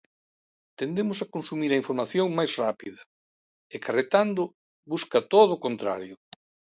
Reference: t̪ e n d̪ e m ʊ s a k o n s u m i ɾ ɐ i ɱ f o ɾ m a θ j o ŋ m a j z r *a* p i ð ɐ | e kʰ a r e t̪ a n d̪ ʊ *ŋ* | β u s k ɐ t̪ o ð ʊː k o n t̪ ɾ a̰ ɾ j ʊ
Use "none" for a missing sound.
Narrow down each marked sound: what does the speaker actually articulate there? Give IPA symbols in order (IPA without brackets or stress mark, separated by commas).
a, none